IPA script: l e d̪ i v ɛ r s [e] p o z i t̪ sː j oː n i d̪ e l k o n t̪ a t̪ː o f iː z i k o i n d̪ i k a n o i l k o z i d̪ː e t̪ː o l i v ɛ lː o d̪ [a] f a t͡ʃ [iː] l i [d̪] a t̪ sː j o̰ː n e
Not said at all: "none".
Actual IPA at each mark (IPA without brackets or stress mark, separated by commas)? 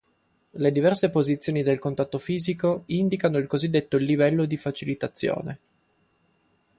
e, i, i, t̪